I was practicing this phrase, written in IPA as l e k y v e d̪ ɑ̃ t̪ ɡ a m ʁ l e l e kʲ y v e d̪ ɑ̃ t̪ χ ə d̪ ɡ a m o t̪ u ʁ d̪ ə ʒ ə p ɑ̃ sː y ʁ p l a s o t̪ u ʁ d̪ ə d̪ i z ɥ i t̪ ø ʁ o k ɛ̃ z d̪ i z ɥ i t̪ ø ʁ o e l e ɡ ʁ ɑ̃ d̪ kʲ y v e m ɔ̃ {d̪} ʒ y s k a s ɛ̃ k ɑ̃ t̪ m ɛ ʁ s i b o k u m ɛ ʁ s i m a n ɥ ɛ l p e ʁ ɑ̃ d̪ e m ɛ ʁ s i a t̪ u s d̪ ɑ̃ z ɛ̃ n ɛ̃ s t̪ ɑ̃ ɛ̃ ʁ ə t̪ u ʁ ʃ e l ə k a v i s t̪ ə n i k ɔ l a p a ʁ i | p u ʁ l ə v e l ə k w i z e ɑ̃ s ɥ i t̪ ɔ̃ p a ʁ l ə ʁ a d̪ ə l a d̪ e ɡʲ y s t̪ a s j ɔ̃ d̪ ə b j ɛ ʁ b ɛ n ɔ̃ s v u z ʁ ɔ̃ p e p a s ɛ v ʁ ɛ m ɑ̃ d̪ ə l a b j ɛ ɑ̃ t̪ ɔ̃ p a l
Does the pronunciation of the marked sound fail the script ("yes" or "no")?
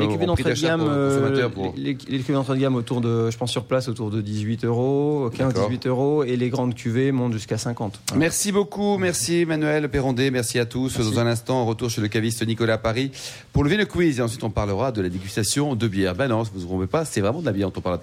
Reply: yes